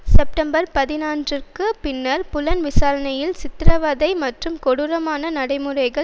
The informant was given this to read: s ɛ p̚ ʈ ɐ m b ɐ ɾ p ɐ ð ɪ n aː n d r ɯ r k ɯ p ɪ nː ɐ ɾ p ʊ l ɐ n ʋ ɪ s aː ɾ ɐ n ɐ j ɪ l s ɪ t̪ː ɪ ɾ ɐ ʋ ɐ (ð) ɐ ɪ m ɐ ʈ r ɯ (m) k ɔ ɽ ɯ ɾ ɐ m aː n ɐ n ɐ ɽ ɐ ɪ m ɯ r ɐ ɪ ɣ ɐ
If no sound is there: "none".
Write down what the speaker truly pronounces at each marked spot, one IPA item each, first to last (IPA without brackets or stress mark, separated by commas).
ð, m